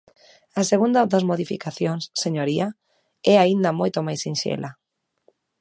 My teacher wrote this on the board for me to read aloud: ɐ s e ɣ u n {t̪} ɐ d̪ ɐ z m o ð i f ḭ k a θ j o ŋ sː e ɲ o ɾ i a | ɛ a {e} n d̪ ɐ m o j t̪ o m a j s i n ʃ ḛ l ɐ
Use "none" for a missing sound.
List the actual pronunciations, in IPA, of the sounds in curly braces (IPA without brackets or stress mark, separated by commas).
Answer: d̪, i